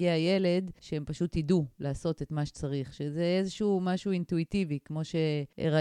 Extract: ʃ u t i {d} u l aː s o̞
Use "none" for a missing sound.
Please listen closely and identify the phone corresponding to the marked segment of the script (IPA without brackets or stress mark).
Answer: d